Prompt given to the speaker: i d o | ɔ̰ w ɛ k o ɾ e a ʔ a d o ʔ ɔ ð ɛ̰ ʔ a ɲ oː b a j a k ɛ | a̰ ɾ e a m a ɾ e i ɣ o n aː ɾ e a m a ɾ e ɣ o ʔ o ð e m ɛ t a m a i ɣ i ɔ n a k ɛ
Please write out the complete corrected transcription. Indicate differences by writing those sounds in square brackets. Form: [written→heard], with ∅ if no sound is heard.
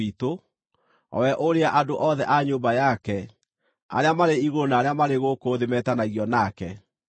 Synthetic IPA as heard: i [d→t] o | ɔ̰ w ɛ [k→ʔ] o ɾ e a ʔ a d o ʔ ɔ ð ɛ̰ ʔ a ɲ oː b a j a k ɛ | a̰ ɾ e a m a ɾ e i ɣ o n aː ɾ e a m a ɾ e ɣ o [ʔ→k] o ð e m ɛ t a [m→n] a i ɣ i ɔ n a k ɛ